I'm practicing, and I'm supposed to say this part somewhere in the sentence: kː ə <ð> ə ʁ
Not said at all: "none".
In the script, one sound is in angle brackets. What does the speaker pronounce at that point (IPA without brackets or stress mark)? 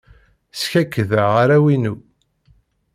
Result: ð